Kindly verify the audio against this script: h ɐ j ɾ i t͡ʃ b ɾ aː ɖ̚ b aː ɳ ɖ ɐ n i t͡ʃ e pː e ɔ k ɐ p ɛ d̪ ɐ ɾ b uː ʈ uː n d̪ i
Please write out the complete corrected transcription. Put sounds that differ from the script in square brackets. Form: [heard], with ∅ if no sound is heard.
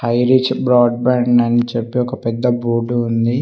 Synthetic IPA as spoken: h ɐ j ɾ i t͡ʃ b ɾ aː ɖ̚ b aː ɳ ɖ ɐ n i t͡ʃ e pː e ɔ k ɐ p ɛ [d̪ː] ɐ [∅] b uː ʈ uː n d̪ i